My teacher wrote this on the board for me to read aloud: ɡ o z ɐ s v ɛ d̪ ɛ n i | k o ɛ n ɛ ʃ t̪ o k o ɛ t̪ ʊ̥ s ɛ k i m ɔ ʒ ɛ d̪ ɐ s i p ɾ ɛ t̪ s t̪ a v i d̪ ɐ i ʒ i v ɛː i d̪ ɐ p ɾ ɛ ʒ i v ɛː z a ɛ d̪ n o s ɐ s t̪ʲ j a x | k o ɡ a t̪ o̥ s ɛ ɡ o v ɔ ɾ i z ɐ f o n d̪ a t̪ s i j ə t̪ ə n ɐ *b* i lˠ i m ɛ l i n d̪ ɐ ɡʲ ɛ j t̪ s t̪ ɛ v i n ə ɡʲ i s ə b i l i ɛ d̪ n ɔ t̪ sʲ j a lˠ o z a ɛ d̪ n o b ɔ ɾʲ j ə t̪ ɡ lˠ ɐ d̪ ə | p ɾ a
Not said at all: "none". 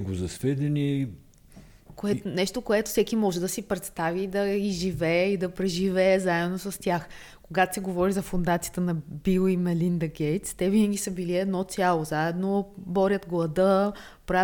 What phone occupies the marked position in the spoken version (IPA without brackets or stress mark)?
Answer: b